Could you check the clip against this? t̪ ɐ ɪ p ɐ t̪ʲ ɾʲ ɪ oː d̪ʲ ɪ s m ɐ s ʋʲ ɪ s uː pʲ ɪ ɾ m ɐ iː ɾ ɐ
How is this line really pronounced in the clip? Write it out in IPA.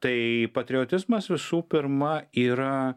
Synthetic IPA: t̪ ɐ ɪ p ɐ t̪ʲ ɾʲ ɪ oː t̪ʲ ɪ z m ɐ s ʋʲ ɪ s uː pʲ ɪ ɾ m ɐ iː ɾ ɐ